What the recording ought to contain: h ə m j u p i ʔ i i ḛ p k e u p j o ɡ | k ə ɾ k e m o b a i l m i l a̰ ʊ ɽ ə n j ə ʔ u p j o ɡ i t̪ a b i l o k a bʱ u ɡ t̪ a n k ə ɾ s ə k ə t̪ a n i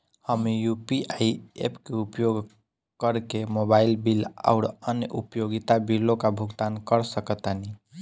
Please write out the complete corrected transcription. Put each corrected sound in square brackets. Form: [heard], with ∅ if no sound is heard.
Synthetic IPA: h ə m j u p i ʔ [a] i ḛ p k e u p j o ɡ | k ə ɾ k e m o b a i l [b] i l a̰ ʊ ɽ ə n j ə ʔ u p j o ɡ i t̪ a b i l o k a bʱ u ɡ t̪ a n k ə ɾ s ə k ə t̪ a n i